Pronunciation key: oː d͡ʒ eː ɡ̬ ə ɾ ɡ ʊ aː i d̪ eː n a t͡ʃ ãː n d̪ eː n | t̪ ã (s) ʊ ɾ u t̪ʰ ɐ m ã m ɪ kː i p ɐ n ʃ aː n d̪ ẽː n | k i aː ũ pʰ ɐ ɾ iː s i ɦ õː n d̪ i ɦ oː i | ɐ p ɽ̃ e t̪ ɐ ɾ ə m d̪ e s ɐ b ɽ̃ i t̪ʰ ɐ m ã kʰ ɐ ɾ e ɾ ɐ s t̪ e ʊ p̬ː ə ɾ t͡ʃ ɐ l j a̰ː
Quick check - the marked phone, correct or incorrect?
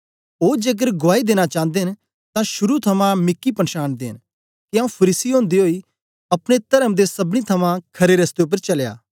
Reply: incorrect: ʃ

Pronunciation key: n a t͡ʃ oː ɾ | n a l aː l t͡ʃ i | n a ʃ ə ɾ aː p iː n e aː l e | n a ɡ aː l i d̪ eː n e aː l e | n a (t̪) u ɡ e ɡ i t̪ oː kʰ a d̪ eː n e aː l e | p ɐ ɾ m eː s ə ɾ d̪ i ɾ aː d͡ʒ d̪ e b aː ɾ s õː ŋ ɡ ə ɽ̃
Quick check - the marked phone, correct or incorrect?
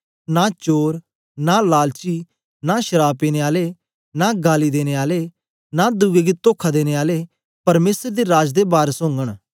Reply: incorrect: d̪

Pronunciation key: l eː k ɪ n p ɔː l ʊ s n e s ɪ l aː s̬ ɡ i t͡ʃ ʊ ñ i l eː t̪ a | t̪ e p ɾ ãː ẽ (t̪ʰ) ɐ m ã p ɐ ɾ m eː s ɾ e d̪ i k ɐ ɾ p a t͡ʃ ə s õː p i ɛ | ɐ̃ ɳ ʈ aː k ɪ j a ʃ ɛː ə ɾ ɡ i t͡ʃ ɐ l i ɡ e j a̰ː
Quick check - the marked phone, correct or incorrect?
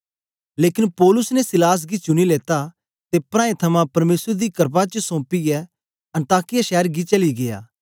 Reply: correct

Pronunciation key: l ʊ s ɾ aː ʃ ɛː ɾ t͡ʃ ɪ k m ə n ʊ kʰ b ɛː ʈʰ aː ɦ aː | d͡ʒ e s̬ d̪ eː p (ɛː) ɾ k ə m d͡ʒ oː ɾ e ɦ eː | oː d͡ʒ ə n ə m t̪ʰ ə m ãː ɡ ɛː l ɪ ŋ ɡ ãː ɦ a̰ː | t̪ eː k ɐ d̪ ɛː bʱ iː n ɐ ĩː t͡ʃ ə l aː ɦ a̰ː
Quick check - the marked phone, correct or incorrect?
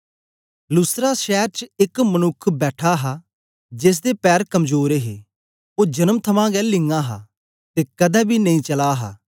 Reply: correct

